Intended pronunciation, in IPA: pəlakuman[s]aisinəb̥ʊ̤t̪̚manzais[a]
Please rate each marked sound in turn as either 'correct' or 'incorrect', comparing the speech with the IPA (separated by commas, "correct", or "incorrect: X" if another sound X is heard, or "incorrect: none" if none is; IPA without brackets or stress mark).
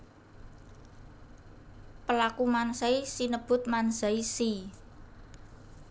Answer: correct, incorrect: i